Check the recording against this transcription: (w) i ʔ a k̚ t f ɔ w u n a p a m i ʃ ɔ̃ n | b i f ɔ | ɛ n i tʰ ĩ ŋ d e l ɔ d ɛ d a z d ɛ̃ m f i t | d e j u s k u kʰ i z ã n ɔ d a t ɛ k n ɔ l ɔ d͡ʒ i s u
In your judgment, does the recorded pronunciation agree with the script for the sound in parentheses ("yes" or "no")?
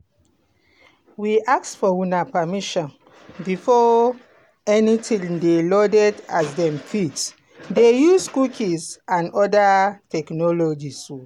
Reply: yes